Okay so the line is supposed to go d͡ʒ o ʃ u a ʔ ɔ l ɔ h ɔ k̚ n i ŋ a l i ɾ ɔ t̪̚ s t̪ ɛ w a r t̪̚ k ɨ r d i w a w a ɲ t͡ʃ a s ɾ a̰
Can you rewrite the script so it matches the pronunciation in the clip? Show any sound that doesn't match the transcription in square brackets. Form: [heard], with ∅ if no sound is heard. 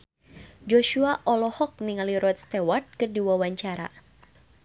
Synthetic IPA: d͡ʒ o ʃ u a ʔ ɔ l ɔ h ɔ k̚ n i ŋ a l i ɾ ɔ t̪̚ s t̪ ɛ w a r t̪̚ k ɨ r d i w a w a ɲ t͡ʃ a [∅] ɾ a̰